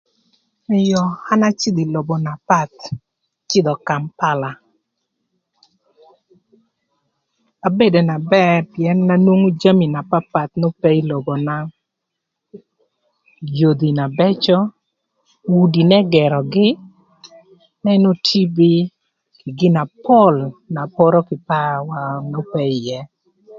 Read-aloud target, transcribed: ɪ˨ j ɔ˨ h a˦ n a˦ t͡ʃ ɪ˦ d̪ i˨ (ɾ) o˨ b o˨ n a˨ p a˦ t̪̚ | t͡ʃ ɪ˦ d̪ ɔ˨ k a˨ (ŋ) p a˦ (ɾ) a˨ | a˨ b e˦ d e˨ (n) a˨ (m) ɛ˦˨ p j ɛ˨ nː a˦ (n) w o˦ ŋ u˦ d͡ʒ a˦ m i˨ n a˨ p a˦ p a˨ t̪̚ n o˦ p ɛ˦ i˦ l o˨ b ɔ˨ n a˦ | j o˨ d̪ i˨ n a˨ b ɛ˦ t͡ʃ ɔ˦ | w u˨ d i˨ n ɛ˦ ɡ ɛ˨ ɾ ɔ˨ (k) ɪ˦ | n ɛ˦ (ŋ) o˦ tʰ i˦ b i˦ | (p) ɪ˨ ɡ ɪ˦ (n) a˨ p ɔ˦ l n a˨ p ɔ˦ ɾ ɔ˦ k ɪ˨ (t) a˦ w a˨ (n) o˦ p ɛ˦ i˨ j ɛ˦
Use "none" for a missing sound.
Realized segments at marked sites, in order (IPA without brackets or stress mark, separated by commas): l, m, l, n, b, n, ɡ, n, k, n, p, n